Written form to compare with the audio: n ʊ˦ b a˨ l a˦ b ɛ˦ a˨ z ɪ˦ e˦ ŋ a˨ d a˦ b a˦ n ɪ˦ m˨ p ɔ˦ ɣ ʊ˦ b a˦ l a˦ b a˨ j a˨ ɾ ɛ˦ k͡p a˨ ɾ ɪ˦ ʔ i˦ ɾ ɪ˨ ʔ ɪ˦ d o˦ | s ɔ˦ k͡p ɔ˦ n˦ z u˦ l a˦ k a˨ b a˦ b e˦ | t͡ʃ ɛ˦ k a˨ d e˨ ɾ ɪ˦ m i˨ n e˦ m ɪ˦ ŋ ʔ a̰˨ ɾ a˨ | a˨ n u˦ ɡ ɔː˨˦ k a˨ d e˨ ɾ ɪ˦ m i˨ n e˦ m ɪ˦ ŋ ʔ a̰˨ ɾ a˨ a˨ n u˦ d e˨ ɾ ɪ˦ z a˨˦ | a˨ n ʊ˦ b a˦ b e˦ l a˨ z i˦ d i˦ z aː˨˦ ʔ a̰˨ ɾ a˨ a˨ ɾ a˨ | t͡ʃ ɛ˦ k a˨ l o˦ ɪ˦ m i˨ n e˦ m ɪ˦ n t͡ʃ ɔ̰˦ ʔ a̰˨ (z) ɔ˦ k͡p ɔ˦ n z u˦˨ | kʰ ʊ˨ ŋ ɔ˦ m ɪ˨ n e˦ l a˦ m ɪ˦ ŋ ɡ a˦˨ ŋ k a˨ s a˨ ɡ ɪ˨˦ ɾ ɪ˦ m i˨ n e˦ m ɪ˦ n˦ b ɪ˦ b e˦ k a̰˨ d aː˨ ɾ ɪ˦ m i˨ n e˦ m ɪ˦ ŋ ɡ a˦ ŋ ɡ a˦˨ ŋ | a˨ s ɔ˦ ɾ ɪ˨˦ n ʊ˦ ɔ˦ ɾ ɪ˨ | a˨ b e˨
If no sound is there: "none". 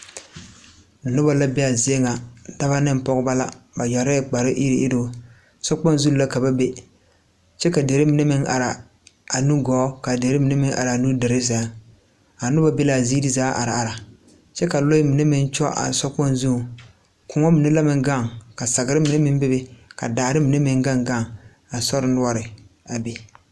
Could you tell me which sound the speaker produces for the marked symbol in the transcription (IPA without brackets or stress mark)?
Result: s